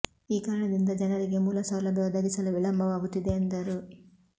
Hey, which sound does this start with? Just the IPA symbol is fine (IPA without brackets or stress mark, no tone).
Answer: iː